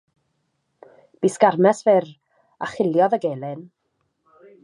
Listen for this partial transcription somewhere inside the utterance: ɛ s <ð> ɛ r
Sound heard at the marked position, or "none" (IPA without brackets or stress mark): v